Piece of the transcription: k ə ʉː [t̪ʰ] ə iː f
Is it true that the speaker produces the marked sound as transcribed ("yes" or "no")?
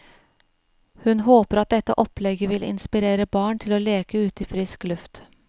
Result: no